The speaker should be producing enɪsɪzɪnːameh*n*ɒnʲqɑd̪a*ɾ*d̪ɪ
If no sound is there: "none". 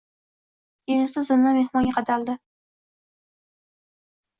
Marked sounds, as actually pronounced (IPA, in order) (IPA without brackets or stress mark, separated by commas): m, l